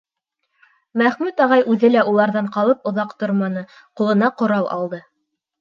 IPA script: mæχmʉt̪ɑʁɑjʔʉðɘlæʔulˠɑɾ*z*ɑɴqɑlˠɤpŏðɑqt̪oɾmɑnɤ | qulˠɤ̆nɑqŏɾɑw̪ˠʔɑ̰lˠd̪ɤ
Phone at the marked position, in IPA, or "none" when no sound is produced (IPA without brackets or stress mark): ð